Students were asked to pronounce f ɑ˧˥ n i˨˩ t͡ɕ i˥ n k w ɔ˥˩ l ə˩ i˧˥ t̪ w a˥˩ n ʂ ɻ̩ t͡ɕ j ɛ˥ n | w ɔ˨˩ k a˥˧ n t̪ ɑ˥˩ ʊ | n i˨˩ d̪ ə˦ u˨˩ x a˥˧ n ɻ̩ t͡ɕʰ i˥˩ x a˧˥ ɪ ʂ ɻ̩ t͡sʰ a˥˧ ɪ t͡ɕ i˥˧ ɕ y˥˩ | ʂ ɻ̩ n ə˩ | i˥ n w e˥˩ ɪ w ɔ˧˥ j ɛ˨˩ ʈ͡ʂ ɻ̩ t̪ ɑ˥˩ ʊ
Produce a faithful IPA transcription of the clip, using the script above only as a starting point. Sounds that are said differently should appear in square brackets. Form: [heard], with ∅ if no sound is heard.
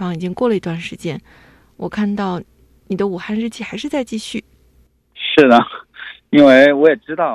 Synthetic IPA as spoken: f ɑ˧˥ [ŋ] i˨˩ t͡ɕ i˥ [ŋ] k w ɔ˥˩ l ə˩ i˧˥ t̪ w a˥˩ n ʂ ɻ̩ t͡ɕ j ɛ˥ n | w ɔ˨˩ [kʰ] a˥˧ n t̪ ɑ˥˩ ʊ | n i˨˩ d̪ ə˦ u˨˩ x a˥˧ n ɻ̩ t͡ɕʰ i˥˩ x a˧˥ ɪ ʂ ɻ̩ [t͡s] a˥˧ ɪ t͡ɕ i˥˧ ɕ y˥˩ | ʂ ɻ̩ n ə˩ | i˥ n w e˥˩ ɪ w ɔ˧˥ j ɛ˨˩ ʈ͡ʂ ɻ̩ t̪ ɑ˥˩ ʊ